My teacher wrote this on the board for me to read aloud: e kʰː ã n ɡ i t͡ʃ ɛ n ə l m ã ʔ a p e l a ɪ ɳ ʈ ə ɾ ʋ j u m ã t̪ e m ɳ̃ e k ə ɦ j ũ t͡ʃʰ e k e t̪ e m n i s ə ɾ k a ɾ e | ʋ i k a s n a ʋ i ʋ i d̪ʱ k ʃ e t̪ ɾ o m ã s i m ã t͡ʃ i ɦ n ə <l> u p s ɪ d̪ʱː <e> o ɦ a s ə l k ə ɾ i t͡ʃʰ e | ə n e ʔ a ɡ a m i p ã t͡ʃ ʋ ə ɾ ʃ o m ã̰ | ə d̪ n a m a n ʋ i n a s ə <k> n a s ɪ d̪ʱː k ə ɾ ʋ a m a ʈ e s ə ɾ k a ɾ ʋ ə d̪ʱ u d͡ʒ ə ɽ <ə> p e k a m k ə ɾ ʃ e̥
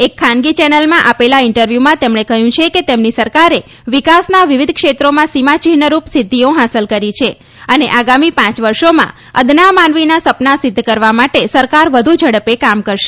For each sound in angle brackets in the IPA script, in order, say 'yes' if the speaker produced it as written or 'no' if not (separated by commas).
no, no, no, yes